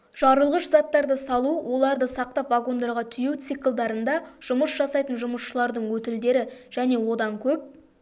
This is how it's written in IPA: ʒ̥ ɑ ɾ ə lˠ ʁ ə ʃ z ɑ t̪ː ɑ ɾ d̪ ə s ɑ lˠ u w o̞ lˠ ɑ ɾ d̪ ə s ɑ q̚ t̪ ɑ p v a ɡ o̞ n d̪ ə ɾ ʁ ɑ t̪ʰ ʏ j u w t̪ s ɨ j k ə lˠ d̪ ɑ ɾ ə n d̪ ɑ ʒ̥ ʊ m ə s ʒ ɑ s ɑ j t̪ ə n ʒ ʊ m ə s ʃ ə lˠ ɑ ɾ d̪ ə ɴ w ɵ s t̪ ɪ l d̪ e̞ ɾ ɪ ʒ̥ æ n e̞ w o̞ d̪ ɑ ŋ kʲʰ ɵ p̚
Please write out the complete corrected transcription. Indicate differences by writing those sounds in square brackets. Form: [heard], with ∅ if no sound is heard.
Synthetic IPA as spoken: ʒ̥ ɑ ɾ ə lˠ ʁ ə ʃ z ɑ t̪ː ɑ ɾ d̪ ə s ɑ lˠ u w o̞ lˠ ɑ ɾ d̪ ə s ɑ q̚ t̪ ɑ p v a ɡ o̞ n d̪ [ɑ] ɾ ʁ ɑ t̪ʰ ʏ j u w t̪ s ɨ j k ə lˠ d̪ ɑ ɾ ə n d̪ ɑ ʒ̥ ʊ m ə s ʒ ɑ s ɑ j t̪ ə n ʒ ʊ m ə s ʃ ə lˠ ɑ ɾ d̪ ə ɴ w ɵ [∅] t̪ ɪ l d̪ e̞ ɾ ɪ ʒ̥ æ n e̞ w o̞ d̪ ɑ ŋ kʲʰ ɵ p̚